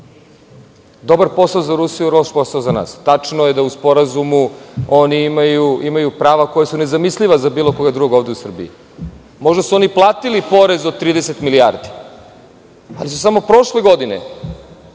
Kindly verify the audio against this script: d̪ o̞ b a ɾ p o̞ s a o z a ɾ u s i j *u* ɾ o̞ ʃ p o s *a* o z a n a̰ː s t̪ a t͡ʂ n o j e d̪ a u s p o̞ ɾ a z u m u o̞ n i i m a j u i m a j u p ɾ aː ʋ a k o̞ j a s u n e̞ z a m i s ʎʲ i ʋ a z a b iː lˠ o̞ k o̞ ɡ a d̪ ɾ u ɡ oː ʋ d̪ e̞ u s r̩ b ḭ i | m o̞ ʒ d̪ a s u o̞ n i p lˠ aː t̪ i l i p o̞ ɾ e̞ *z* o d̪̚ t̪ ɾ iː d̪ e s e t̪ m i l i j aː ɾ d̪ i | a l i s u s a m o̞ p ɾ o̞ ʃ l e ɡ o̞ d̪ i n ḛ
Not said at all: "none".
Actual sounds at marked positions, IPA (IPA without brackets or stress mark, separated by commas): u, a, z